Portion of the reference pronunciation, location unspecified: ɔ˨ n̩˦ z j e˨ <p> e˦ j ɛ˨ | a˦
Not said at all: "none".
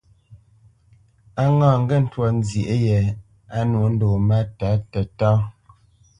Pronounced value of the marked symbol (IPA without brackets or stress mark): ʔ